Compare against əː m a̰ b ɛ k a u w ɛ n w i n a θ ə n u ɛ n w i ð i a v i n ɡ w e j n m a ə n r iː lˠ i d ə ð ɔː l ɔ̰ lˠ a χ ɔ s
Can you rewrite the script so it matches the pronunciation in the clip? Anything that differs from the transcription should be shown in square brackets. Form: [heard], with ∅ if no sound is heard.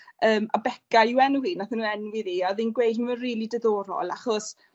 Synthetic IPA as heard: əː m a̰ b ɛ k a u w ɛ n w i n a θ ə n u ɛ n w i ð i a [ð] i n ɡ w e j [d] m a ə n r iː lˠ i d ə ð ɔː [ɾ] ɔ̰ lˠ a χ ɔ s